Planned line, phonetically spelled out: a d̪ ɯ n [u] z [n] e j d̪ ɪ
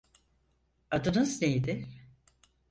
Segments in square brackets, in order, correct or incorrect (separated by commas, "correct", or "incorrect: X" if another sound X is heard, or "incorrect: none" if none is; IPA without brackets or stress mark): incorrect: ɯ, correct